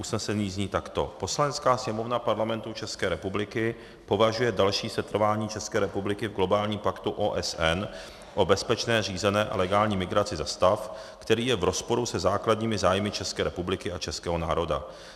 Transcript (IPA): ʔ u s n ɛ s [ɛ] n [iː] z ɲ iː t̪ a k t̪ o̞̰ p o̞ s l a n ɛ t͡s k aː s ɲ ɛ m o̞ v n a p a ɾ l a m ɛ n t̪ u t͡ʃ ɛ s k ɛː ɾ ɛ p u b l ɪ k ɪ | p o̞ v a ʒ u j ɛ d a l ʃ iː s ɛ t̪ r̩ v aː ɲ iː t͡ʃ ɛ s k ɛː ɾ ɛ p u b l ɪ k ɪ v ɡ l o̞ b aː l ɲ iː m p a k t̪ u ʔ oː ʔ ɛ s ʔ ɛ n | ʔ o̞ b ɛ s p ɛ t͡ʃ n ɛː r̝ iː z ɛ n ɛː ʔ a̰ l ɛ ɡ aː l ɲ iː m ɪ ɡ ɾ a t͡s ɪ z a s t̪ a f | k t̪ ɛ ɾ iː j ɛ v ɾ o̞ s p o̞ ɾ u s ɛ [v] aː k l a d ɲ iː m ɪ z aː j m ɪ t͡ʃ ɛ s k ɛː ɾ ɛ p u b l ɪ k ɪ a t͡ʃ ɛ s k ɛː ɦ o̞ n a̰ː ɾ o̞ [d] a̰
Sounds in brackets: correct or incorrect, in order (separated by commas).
correct, correct, incorrect, correct